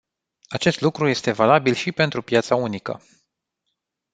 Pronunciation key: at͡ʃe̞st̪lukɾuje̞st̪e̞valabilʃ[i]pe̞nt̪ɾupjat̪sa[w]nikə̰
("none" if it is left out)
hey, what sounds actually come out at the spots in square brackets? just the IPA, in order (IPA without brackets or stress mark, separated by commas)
i, u